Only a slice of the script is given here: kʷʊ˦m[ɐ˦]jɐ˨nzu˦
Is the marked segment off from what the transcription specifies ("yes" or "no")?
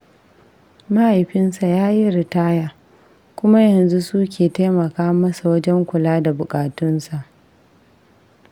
yes